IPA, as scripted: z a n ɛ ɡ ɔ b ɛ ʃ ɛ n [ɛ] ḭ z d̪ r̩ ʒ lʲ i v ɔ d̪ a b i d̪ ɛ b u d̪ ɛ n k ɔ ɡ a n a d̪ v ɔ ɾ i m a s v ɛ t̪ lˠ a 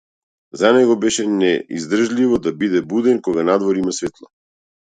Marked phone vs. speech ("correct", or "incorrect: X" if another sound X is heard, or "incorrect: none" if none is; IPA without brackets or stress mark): correct